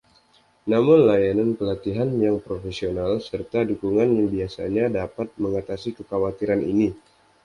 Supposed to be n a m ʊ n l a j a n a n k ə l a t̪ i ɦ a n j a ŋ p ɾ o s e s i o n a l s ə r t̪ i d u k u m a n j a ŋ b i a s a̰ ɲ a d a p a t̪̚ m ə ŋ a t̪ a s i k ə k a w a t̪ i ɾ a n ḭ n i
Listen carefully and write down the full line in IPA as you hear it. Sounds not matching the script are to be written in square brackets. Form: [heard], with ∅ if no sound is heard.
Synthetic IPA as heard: n a m ʊ n l a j a n a n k ə l a t̪ i ɦ a n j a ŋ p ɾ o [f] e s i o n a l s ə r t̪ [a] d u k u [ŋ] a n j a ŋ b i a s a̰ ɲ a d a p a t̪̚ m ə ŋ a t̪ a s i k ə k a w a t̪ i ɾ a n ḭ n i